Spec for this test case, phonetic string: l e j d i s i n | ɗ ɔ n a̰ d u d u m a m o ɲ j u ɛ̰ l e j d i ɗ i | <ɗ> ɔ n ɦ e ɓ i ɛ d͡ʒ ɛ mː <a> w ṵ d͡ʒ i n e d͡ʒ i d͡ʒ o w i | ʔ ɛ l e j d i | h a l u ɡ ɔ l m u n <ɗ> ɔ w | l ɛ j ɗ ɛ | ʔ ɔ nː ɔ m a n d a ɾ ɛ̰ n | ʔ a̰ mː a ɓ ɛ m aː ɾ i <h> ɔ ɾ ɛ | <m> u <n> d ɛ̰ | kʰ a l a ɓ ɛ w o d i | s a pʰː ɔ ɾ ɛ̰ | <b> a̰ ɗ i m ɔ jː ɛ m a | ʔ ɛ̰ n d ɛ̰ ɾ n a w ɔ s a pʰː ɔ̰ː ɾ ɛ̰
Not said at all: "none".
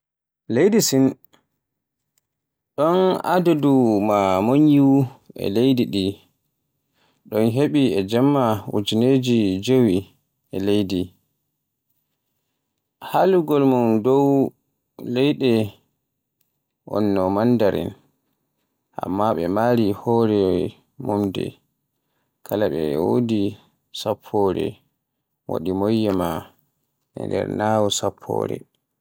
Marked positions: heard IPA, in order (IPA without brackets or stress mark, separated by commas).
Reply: ɗ, a, d, h, m, m, w